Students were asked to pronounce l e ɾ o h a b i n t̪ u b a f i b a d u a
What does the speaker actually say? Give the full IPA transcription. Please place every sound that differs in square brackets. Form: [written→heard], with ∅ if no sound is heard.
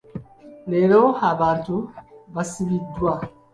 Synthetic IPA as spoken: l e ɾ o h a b [i→a] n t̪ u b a [f→s] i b [a→i] d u a

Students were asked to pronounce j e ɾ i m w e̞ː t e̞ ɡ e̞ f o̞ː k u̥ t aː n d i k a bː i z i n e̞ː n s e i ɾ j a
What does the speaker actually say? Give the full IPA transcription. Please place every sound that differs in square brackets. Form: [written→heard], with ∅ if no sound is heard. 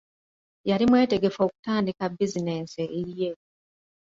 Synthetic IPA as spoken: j [e→a] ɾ i m w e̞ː t e̞ ɡ e̞ f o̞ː k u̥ t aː n d i k a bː i z i n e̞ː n s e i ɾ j [a→e]

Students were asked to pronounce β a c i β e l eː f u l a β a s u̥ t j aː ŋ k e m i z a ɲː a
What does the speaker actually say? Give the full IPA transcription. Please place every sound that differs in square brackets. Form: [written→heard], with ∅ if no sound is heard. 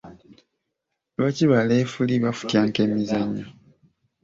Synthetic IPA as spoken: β a c i β [e→a] l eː f u l [a→i] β a [s→f] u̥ t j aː ŋ k e m i z a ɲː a

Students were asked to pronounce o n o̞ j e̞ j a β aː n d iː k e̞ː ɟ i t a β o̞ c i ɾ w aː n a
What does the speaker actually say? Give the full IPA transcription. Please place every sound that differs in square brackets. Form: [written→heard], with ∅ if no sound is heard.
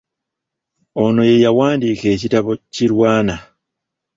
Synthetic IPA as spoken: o n o̞ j e̞ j a [β→w] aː n d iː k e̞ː [ɟ→c] i t a β o̞ c i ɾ w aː n a

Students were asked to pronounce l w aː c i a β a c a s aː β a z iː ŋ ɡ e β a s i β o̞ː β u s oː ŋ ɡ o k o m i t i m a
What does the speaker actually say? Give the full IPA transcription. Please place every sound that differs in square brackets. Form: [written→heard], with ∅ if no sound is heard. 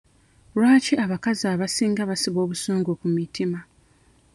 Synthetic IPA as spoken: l w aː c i a β a [c→k] a [s→z] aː β a [z→s] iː ŋ ɡ [e→a] β a s i β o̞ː β u s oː ŋ ɡ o k [o→u] m i t i m a

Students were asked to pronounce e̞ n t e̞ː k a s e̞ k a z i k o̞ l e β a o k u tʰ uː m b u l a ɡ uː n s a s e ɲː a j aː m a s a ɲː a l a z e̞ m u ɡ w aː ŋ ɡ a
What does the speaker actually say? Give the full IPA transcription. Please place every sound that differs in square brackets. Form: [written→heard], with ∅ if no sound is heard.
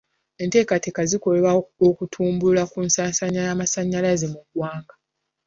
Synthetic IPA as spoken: e̞ n t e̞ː k a [s→t] e̞ k a z i k o̞ l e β a o k u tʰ uː m b u l a [ɡ→k] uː n s a s [e→a] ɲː a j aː m a s a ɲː a l a z e̞ m u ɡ w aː ŋ ɡ a

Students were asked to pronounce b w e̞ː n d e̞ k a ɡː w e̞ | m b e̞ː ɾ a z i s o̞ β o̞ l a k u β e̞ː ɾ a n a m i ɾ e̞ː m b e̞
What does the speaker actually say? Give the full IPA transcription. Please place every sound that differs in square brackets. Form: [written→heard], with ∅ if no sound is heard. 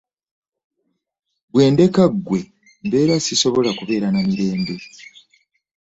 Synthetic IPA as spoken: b w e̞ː n d e̞ k a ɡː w e̞ | m b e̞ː ɾ a [z→s] i s o̞ β o̞ l a k u β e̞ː ɾ a n a m i ɾ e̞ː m b e̞

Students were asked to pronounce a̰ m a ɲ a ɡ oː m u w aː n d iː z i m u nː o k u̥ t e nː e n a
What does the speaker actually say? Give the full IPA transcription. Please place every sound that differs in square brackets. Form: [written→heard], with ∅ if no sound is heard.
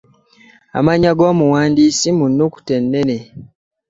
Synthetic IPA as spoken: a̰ m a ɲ a ɡ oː m u w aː n d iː [z→s] i m u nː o k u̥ t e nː e n [a→e]

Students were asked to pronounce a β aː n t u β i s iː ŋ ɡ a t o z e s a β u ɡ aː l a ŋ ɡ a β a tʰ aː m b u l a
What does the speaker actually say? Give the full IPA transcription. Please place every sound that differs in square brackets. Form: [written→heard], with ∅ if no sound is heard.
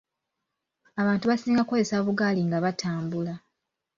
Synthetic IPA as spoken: a β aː n t u β [i→a] s iː ŋ ɡ a [t→k] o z e s a β u ɡ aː l [a→i] ŋ ɡ a β a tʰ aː m b u l a

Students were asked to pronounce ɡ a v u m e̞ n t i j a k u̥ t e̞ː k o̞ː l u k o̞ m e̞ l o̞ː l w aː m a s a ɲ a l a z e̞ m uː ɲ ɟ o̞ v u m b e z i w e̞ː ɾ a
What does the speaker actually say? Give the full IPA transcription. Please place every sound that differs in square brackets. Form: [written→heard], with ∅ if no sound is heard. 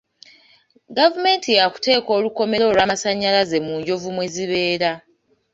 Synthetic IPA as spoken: ɡ a v u m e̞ n t i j a k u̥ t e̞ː k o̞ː l u k o̞ m e̞ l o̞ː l w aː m a s a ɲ a l a z e̞ m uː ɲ ɟ o̞ v u m [b→w] e z i [w→β] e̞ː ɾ a

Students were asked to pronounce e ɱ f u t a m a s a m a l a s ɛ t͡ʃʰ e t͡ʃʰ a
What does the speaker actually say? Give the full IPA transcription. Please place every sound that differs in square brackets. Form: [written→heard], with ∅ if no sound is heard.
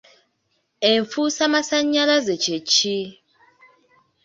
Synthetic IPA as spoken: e ɱ f u [t→s] a m a s a [m→ɲ] a l a [s→z] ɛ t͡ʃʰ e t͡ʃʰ [a→i]

